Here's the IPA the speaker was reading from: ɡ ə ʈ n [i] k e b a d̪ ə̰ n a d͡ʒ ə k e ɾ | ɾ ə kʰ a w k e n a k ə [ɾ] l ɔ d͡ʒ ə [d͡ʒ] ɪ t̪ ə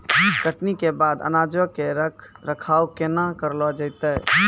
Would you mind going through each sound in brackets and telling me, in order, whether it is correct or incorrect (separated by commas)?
correct, correct, incorrect